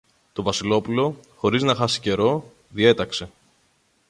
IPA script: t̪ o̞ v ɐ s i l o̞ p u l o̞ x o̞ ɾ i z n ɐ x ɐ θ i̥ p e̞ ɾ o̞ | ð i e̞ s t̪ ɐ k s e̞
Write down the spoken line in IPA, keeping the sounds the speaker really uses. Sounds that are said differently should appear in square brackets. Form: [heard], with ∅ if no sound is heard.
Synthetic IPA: t̪ o̞ v ɐ s i l o̞ p u l o̞ x o̞ ɾ i z n ɐ x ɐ [s] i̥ [c] e̞ ɾ o̞ | ð i e̞ [∅] t̪ ɐ k s e̞